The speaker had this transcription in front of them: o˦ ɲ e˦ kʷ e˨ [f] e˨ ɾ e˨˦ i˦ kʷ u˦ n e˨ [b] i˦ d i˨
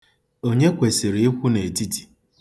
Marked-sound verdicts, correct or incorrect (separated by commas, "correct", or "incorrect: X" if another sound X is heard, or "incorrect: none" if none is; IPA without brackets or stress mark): incorrect: s, incorrect: d